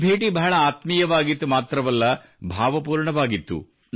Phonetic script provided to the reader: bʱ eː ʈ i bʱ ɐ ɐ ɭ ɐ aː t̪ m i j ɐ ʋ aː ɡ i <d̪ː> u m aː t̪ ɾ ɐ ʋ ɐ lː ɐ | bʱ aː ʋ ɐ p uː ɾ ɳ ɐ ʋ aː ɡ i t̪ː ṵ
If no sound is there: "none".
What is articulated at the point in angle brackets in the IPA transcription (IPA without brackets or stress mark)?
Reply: t̪ː